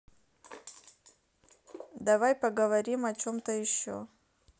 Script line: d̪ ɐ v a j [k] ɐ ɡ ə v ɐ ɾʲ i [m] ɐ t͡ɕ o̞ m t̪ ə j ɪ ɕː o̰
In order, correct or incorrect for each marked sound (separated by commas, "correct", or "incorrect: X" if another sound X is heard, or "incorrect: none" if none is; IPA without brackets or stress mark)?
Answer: incorrect: p, correct